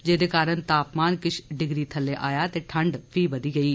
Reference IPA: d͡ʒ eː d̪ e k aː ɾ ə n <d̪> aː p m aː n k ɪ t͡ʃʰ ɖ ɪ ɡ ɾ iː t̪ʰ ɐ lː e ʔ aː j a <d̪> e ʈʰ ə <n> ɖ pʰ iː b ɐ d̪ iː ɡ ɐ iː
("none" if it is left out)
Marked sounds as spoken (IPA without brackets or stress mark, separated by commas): t̪, t̪, ɳ